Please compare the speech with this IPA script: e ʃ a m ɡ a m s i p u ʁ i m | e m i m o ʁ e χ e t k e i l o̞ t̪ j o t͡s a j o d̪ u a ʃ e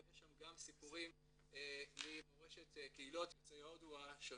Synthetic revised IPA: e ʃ a m ɡ a m s i p u ʁ i m | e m i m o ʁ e ʃ e t k e i l o̞ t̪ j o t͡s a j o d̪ u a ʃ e